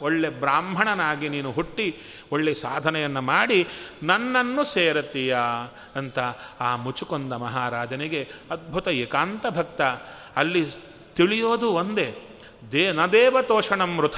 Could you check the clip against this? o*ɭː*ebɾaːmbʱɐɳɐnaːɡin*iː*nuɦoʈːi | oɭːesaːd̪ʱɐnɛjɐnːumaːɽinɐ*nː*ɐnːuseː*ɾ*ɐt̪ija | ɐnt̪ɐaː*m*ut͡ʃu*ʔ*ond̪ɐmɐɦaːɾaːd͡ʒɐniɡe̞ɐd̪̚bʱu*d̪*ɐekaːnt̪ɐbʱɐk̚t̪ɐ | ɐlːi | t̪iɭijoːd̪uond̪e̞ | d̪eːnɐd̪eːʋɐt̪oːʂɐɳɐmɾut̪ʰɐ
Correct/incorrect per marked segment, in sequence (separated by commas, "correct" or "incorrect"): correct, correct, correct, correct, correct, incorrect, incorrect